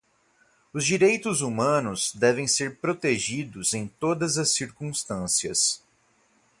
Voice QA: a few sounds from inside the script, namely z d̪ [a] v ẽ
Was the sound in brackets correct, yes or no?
no